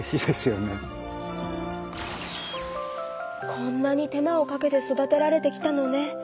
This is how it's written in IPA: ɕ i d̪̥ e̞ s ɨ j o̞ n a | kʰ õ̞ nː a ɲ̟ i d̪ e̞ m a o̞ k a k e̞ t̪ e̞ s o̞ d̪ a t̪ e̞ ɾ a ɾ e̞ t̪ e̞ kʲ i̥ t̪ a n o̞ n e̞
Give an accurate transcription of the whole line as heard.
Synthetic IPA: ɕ i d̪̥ e̞ s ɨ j o̞ n e | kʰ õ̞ nː a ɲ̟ i t̪ e̞ m a o̞ k a k e̞ t̪ e̞ s o̞ d̪ a t̪ e̞ ɾ a ɾ e̞ t̪ e̞ kʲ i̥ t̪ a n o̞ n e̞